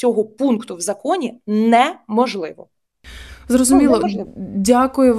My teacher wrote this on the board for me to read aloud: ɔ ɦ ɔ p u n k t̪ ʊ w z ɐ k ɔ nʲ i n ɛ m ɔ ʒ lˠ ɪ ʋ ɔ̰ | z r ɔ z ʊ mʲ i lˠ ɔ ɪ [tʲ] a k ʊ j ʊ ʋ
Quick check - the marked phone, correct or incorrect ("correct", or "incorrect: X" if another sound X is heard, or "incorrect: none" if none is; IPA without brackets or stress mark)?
incorrect: dʲ